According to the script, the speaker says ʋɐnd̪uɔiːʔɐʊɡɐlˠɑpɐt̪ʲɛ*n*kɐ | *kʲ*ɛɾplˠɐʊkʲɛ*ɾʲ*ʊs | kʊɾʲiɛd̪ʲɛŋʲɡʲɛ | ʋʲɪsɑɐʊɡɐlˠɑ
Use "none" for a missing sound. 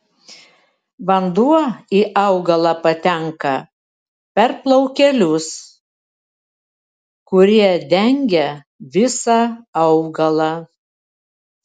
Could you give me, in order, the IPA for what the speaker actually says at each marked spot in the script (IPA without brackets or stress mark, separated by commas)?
ŋ, pʲ, lʲ